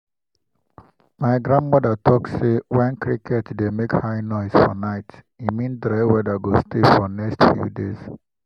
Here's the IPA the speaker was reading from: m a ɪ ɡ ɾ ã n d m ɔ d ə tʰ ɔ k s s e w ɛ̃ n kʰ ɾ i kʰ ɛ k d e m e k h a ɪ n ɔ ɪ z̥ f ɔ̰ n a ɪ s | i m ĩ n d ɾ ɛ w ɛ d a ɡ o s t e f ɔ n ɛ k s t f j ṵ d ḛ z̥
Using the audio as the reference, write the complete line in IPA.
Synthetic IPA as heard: m a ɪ ɡ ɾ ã n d m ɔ d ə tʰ ɔ k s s e w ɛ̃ n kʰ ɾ i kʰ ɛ t d e m e k h a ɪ n ɔ ɪ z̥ f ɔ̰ n a ɪ t | i m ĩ n d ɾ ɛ w ɛ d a ɡ o s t e f ɔ n ɛ k s t f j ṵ d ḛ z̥